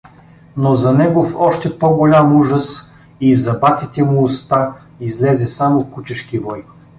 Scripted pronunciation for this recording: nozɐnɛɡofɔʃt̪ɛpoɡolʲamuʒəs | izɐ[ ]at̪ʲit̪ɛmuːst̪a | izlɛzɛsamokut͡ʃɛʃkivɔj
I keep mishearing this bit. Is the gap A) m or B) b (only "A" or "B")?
B